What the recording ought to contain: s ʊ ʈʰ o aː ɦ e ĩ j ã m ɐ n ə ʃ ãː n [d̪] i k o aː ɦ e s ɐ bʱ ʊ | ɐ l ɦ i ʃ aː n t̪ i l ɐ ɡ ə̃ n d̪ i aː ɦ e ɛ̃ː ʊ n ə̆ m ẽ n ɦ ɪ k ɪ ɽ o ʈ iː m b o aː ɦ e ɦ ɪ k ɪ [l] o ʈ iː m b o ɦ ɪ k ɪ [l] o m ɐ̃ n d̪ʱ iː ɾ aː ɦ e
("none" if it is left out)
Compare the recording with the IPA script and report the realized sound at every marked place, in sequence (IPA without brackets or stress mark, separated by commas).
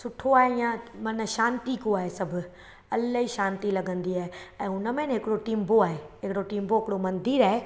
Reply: t̪, ɽ, ɽ